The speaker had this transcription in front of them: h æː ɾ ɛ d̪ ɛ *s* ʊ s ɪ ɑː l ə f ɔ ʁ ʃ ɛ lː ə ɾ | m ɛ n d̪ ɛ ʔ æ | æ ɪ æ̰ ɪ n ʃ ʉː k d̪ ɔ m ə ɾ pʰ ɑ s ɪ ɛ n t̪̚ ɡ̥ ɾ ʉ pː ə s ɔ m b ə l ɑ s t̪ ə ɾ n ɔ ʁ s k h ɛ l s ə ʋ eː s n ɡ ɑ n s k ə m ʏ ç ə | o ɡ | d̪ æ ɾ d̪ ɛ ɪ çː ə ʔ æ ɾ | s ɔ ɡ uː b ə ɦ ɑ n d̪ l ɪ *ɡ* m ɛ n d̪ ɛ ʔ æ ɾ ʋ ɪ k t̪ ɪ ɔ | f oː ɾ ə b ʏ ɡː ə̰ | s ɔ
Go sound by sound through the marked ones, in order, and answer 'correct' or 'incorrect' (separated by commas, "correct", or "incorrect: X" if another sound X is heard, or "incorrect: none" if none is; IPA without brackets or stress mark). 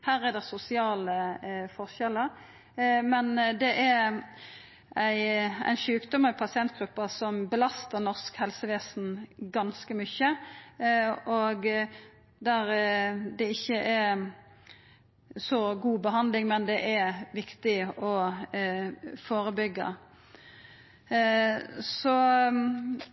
correct, incorrect: ŋ